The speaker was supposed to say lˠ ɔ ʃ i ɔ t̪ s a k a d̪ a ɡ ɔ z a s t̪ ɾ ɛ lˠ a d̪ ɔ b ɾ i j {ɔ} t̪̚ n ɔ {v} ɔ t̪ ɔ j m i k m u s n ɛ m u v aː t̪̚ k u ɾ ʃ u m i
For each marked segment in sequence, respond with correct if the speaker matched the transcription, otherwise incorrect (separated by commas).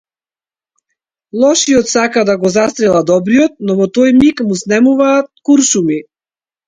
correct, correct